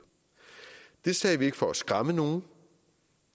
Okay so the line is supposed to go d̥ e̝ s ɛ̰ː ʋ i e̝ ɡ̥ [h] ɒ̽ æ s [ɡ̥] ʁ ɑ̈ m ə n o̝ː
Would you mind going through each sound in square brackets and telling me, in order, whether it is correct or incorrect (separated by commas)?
incorrect, correct